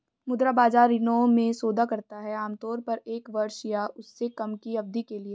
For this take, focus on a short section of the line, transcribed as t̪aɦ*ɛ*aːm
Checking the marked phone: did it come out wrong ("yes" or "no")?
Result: no